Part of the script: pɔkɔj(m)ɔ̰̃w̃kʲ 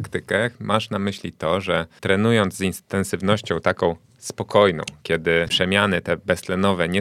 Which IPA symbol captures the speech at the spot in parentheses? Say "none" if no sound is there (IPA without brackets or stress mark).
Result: n